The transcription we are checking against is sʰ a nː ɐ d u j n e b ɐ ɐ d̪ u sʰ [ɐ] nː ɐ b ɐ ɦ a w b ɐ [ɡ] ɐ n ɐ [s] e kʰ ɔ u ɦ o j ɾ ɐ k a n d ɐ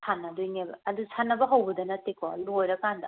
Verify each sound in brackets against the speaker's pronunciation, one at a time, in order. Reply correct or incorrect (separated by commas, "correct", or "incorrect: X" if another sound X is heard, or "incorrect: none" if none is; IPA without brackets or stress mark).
incorrect: a, incorrect: d, incorrect: t